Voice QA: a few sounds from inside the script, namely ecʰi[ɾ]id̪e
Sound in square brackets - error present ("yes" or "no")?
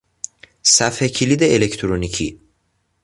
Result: yes